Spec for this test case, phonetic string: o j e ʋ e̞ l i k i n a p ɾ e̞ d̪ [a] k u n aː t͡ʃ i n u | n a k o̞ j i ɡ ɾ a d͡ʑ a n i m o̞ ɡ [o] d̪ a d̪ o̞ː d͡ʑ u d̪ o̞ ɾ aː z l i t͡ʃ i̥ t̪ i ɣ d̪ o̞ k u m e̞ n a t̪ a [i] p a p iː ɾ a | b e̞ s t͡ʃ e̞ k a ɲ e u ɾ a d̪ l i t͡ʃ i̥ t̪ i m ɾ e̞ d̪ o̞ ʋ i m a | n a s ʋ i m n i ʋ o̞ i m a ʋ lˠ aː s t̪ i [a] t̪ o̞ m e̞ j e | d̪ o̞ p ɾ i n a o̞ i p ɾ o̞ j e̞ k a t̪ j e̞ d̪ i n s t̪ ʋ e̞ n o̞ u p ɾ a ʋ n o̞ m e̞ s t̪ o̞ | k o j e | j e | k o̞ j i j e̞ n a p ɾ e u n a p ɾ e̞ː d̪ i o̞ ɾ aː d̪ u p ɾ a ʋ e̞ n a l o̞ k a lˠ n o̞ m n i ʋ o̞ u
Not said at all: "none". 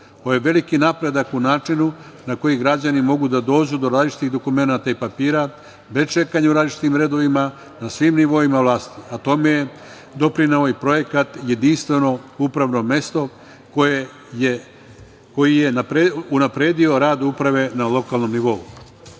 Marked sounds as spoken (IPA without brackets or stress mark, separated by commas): a, u, i, a